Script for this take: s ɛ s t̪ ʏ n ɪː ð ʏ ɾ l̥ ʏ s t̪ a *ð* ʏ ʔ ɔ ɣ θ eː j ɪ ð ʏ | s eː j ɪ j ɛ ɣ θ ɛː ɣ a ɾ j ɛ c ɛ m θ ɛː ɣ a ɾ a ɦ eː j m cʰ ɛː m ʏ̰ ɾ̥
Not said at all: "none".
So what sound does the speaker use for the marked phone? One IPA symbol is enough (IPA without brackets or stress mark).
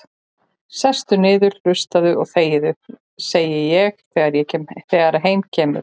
ð